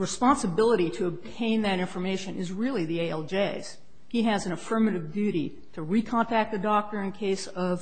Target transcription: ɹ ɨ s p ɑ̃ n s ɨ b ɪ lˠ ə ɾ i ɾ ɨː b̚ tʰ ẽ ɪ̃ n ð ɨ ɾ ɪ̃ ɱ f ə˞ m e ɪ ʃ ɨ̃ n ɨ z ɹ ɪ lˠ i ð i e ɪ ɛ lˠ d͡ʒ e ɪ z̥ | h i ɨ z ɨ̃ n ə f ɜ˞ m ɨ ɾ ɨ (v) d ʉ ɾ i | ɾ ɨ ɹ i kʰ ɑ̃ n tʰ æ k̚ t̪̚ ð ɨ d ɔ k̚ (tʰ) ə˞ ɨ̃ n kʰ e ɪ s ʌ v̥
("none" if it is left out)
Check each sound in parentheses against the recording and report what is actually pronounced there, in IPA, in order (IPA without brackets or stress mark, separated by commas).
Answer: v, t